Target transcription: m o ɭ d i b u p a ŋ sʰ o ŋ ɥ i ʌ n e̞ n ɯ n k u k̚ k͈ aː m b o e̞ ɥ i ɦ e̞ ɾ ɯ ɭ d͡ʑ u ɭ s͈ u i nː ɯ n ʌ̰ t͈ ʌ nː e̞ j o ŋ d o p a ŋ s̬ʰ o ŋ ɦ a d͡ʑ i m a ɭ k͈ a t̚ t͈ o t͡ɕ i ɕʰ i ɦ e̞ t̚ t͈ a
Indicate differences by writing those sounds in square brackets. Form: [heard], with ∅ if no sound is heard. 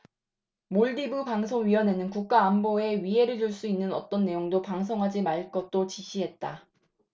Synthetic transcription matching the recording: m o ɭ d i b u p a ŋ sʰ o ŋ ɥ i ʌ n e̞ n ɯ n k u k̚ k͈ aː m b o e̞ ɥ i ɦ e̞ ɾ ɯ ɭ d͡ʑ u ɭ s͈ u i nː ɯ n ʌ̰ t͈ ʌ nː e̞ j o ŋ d o p a ŋ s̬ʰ o ŋ ɦ a d͡ʑ i m a ɭ k͈ [ʌ] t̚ t͈ o t͡ɕ i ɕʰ i ɦ e̞ t̚ t͈ a